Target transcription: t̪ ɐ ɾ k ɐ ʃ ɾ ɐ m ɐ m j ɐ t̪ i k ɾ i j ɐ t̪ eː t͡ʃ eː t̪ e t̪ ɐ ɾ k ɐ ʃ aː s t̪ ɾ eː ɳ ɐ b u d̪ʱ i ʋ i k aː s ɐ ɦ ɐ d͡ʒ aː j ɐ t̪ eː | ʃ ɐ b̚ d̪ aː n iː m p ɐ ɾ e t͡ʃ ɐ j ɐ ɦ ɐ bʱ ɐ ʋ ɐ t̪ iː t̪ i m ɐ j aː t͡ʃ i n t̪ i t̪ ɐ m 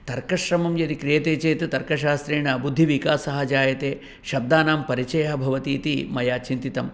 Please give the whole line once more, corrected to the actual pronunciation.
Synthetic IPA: t̪ ɐ ɾ k ɐ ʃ ɾ ɐ m ɐ m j ɐ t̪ i k ɾ i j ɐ t̪ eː t͡ʃ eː t̪ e t̪ ɐ ɾ k ɐ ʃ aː s t̪ ɾ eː ɳ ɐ b u d̪ʱː i ʋ i k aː s ɐ ɦ ɐ d͡ʒ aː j ɐ t̪ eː | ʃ ɐ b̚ d̪ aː n aː m p ɐ ɾ i t͡ʃ ɐ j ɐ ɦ ɐ bʱ ɐ ʋ ɐ t̪ iː t̪ i m ɐ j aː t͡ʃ i n t̪ i t̪ ɐ m

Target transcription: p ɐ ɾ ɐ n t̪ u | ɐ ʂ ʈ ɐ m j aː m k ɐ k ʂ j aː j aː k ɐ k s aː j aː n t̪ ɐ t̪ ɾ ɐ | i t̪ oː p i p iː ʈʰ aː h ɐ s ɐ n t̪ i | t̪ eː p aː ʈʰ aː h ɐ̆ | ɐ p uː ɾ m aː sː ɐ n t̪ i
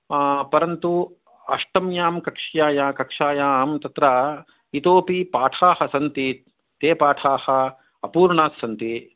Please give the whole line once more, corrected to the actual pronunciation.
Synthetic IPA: p ɐ ɾ ɐ n t̪ u | ɐ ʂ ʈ ɐ m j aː m k ɐ k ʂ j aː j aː k ɐ k ʂ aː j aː m t̪ ɐ t̪ ɾ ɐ | i t̪ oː p i p aː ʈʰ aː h ɐ s ɐ n t̪ i | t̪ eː p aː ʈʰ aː h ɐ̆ | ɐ p uː ɾ ɳ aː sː ɐ n t̪ i

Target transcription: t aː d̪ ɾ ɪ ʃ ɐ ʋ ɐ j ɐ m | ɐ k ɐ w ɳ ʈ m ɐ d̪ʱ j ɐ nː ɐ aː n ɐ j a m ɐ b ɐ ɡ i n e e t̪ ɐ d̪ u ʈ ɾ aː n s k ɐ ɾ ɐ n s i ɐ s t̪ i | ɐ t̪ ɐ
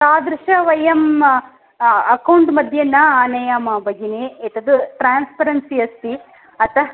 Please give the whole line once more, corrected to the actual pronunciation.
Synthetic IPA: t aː d̪ ɾ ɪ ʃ ɐ ʋ ɐ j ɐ m | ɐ k ɐ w ɳ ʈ m ɐ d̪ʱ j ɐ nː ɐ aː n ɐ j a m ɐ b ɐ ɡ i n e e t̪ ɐ d̪ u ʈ ɾ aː n s p ɐ ɾ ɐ n s i ɐ s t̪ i | ɐ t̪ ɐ

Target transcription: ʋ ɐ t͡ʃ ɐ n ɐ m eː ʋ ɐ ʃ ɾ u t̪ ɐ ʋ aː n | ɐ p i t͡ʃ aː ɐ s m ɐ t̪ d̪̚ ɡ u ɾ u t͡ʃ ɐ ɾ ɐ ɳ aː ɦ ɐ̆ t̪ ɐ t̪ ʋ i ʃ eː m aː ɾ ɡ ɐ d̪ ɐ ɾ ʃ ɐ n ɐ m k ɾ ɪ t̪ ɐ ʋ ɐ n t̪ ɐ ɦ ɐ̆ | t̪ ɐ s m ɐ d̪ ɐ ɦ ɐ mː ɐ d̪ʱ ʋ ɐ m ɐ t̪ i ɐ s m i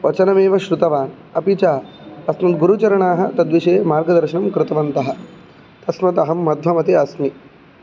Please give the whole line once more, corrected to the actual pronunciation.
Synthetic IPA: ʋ ɐ t͡ʃ ɐ n ɐ m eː ʋ ɐ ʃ ɾ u t̪ ɐ ʋ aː n | ɐ p i t͡ʃ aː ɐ s m ɐ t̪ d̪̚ ɡ u ɾ u t͡ʃ ɐ ɾ ɐ ɳ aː ɦ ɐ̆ t̪ ɐ d̪ ʋ i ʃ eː m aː ɾ ɡ ɐ d̪ ɐ ɾ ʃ ɐ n ɐ m k ɾ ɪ t̪ ɐ ʋ ɐ n t̪ ɐ ɦ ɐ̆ | t̪ ɐ s m ɐ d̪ ɐ ɦ ɐ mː ɐ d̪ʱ ʋ ɐ m ɐ t̪ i ɐ s m i

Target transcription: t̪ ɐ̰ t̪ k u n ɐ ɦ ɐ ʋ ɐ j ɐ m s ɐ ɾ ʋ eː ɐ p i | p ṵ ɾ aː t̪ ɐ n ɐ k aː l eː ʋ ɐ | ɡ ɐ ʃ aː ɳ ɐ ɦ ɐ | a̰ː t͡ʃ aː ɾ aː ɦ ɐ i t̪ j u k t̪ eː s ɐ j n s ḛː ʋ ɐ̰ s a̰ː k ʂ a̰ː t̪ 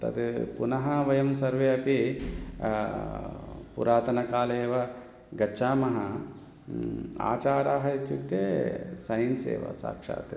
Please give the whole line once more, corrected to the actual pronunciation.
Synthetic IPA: t̪ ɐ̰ t̪ p u n ɐ ɦ ɐ ʋ ɐ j ɐ m s ɐ ɾ ʋ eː ɐ p i | p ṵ ɾ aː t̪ ɐ n ɐ k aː l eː ʋ ɐ | ɡ ɐ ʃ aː m ɐ ɦ ɐ | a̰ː t͡ʃ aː ɾ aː ɦ ɐ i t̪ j u k t̪ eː s ɐ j n s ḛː ʋ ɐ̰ s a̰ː k ʂ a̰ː t̪

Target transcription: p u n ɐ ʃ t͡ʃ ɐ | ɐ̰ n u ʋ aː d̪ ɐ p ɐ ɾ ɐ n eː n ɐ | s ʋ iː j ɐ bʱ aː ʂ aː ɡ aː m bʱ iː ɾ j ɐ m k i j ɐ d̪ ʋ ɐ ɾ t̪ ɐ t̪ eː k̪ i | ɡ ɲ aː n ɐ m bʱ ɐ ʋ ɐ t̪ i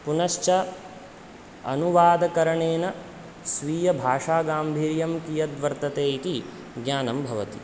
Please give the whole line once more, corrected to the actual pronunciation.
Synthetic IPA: p u n ɐ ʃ t͡ʃ ɐ | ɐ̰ n u ʋ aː d̪ ɐ k ɐ ɾ ɐ ɳ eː n ɐ | s ʋ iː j ɐ bʱ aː ʂ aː ɡ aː m bʱ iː ɾ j ɐ m k i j ɐ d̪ ʋ ɐ ɾ t̪ ɐ t̪ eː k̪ i | ɡ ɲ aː n ɐ m bʱ ɐ ʋ ɐ t̪ i

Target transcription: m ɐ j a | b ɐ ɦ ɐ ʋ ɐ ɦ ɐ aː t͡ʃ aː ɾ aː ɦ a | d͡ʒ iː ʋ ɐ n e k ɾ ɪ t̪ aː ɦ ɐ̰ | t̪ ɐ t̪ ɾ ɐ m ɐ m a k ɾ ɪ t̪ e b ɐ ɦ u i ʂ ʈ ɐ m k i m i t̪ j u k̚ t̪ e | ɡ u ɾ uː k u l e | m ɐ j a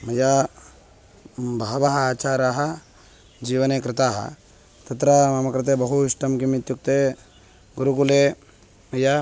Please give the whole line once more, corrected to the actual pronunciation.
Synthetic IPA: m ɐ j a | b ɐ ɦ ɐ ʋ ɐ ɦ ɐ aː t͡ʃ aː ɾ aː ɦ ɐ | d͡ʒ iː ʋ ɐ n e k ɾ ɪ t̪ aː ɦ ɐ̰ | t̪ ɐ t̪ ɾ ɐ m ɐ m ɐ k ɾ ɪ t̪ e b ɐ ɦ u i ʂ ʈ ɐ m k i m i t̪ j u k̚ t̪ e | ɡ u ɾ u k u l e | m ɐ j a

